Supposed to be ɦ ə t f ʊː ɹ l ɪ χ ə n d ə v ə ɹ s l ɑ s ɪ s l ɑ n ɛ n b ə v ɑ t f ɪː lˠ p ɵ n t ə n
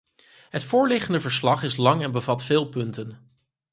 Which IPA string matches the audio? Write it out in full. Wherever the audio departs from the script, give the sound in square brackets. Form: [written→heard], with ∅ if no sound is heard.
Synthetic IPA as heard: ɦ ə t f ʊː ɹ l ɪ χ ə n d ə v ə ɹ s l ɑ [s→χ] ɪ s l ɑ [n→ŋ] ɛ n b ə v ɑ t f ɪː lˠ p ɵ n t ə n